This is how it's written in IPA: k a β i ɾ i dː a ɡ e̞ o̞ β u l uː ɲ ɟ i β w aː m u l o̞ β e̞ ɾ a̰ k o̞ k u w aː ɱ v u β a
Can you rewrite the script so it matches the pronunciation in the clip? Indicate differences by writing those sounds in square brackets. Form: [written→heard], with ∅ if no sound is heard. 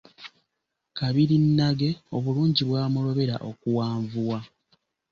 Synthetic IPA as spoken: k a β i ɾ i [dː→nː] a ɡ e̞ o̞ β u l uː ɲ ɟ i β w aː m u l o̞ β e̞ ɾ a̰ [k→ʔ] o̞ k u w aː ɱ v u [β→w] a